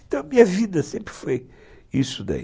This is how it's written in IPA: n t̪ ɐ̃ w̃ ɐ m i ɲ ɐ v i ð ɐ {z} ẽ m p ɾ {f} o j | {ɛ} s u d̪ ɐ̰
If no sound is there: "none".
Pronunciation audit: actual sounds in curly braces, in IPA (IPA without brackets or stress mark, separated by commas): s, f, i